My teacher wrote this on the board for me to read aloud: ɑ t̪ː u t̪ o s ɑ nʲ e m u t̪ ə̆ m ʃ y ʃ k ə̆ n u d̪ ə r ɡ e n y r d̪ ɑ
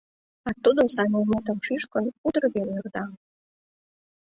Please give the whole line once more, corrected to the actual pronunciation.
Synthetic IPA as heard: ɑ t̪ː u d̪ o s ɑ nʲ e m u t̪ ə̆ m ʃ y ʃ k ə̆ n u d̪ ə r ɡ e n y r d̪ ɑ